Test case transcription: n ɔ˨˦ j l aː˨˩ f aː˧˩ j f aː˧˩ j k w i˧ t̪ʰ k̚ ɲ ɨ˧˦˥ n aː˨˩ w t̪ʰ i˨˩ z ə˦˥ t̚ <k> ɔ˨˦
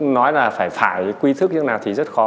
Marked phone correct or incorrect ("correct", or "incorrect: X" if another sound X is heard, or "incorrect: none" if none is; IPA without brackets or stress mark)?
incorrect: x